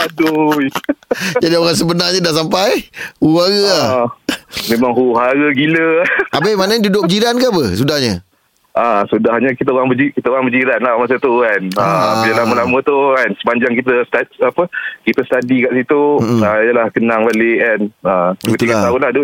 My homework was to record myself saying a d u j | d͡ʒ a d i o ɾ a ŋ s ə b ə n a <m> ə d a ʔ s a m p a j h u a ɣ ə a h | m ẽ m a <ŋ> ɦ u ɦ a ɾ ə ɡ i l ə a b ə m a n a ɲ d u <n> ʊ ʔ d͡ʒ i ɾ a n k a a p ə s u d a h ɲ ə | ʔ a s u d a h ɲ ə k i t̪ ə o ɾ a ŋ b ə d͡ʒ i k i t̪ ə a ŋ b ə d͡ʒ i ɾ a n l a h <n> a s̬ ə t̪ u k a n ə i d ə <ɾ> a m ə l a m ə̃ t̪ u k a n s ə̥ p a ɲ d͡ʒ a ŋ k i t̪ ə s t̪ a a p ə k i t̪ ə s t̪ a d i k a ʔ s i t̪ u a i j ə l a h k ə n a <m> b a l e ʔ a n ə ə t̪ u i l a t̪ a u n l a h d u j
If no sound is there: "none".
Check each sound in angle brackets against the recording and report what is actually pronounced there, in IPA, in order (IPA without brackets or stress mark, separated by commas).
ɲ, ŋ, d, m, l, ŋ